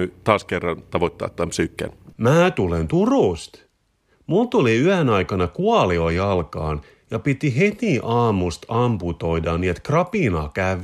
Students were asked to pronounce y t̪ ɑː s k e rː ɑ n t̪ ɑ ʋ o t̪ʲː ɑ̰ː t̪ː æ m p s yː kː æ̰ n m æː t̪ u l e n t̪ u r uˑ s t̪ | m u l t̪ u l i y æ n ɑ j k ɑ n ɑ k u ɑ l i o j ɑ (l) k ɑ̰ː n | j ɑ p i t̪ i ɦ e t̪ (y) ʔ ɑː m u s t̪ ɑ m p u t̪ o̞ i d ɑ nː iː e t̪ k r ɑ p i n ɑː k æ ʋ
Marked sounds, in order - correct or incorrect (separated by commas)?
correct, incorrect